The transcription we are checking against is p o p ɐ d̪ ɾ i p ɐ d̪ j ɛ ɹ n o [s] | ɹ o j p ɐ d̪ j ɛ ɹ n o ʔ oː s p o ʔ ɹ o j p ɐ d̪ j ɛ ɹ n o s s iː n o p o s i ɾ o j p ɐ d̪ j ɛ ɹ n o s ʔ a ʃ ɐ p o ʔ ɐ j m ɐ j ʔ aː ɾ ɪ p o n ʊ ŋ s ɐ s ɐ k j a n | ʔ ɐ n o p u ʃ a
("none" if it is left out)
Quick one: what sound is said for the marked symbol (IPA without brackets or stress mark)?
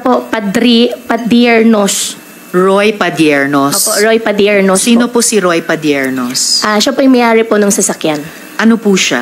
s